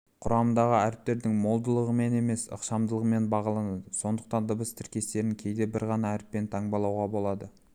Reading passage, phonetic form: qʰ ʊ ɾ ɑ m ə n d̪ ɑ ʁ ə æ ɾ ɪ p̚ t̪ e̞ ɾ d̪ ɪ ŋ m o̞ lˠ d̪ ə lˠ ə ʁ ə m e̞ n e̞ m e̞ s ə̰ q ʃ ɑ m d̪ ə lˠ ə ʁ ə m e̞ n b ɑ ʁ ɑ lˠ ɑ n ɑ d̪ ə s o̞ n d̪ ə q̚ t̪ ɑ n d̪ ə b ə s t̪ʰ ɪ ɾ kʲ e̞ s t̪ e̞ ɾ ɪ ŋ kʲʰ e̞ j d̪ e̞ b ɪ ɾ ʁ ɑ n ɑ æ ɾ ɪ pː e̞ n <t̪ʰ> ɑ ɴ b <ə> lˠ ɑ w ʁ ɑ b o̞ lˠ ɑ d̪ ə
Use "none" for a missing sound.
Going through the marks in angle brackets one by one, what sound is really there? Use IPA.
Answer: t̪ʰ, ɑ

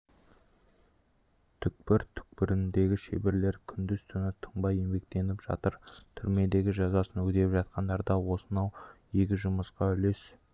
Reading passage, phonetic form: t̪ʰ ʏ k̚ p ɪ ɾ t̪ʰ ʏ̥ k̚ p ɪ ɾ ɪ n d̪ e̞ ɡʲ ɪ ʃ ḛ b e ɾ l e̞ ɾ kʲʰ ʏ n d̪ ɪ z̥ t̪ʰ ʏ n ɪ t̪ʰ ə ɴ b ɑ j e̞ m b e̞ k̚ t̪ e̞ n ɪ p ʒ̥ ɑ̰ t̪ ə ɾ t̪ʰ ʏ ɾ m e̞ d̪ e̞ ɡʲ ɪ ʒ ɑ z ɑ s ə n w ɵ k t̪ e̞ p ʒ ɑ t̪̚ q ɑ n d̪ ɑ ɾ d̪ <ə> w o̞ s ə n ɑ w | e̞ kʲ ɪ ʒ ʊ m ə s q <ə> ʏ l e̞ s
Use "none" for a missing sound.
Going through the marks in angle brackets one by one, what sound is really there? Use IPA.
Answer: ɑ, ɑ

